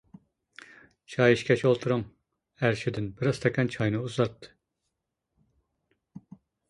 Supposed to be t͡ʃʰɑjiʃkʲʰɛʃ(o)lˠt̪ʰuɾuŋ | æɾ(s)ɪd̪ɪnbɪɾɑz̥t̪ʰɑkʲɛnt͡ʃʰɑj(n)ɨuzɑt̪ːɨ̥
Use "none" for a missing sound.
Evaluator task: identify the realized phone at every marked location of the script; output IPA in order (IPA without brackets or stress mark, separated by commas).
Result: o, ʃ, n